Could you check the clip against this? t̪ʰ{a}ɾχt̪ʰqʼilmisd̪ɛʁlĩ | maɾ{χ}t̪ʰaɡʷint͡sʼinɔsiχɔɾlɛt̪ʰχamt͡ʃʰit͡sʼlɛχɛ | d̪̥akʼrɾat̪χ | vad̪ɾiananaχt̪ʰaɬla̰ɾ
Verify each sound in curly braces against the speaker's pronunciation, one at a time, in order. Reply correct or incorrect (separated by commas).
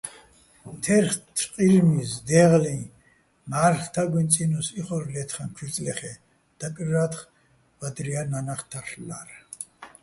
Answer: incorrect, correct